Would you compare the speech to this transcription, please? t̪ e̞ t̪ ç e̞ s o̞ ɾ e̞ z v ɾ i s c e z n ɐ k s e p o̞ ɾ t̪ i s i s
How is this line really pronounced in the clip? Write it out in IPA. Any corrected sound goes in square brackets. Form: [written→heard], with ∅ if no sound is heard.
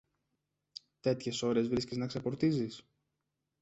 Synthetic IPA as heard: t̪ e̞ t̪ ç e̞ s o̞ ɾ e̞ z v ɾ i s c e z n ɐ k s e p o̞ ɾ t̪ i [s→z] i s